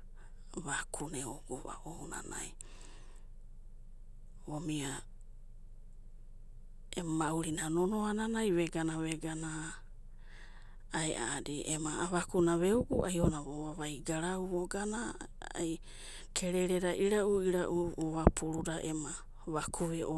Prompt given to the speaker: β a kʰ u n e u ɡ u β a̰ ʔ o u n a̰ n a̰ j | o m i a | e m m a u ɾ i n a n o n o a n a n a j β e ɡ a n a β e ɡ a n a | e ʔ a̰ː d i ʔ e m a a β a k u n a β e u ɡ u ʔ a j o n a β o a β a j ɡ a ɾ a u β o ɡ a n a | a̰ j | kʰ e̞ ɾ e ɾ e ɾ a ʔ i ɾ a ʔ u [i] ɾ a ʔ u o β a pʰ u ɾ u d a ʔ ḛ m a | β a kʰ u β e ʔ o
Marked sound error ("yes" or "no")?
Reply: no